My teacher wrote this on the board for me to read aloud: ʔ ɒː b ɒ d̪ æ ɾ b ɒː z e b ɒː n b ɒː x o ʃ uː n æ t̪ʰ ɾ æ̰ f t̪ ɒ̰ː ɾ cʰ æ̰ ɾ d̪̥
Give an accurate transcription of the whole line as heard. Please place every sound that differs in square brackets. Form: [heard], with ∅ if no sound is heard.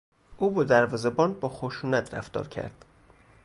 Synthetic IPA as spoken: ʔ [uː] b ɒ d̪ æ ɾ [v] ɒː z e b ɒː n b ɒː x o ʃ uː n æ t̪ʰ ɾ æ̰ f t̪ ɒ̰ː ɾ cʰ æ̰ ɾ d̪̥